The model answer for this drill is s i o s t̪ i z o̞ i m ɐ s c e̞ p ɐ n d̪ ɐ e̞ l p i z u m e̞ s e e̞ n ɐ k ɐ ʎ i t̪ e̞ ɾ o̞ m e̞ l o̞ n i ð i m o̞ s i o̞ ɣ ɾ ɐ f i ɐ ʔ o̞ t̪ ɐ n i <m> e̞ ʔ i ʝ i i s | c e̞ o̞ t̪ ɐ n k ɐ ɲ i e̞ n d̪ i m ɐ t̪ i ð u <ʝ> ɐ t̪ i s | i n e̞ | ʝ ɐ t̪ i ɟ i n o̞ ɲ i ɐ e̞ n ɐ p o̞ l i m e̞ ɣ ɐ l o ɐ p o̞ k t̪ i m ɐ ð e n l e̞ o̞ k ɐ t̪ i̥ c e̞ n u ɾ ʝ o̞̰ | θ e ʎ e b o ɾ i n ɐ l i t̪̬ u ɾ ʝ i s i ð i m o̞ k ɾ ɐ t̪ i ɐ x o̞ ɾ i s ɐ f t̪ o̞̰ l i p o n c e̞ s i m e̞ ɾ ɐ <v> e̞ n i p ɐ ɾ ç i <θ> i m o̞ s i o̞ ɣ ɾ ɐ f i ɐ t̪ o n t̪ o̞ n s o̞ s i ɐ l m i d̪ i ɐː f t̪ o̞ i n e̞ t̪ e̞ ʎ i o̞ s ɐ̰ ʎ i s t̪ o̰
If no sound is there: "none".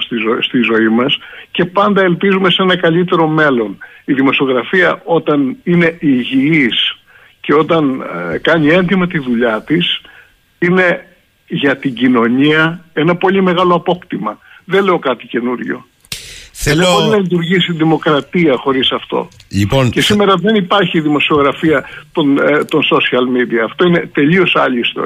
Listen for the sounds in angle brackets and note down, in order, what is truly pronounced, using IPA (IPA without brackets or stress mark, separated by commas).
n, ʎ, ð, ð